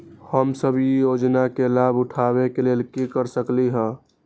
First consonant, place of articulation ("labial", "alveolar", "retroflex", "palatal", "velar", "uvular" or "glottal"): glottal